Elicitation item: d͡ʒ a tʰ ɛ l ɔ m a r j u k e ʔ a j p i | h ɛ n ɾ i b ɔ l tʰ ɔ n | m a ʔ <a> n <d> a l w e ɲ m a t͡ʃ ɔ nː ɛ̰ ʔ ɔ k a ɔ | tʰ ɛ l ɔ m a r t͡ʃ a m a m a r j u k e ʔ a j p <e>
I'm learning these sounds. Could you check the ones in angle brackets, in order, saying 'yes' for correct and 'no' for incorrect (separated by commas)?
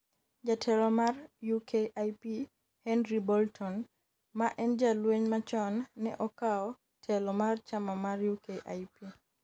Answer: no, no, no